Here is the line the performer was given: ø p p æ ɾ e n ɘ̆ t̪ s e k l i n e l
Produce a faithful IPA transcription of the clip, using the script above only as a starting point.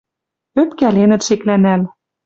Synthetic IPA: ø p k æ l e n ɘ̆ t̪ ʃ e k l æ n æ l